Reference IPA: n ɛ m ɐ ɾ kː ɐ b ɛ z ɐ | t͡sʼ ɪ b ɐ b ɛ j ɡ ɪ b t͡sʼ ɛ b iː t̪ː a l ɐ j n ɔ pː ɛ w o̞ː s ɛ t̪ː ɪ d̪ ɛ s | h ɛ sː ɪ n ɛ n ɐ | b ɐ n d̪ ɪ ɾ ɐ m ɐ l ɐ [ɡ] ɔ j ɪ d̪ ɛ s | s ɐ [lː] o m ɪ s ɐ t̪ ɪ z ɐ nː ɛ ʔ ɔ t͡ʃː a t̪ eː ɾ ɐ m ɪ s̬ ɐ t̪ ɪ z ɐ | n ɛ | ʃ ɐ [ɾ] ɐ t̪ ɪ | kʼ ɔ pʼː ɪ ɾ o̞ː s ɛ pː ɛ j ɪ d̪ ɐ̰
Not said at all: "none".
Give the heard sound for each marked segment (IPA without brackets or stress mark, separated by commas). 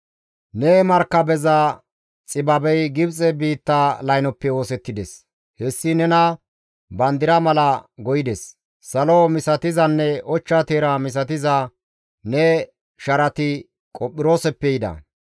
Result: ɡ, l, ɾ